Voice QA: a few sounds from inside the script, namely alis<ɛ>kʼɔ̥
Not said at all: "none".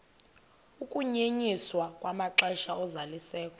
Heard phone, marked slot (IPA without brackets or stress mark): ɛː